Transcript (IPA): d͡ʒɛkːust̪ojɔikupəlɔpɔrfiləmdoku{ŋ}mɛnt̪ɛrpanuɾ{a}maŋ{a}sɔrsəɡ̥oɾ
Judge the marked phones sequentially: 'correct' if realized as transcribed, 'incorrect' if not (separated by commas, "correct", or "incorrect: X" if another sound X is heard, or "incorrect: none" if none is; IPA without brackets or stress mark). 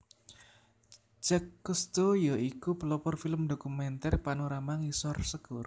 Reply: incorrect: none, correct, incorrect: i